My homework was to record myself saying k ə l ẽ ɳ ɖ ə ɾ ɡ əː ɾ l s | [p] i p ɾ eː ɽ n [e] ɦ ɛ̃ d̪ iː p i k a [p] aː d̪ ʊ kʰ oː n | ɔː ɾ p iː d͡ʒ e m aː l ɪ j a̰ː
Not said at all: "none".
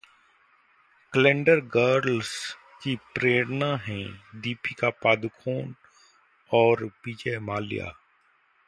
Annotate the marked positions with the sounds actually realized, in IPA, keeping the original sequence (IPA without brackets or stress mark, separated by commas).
k, a, p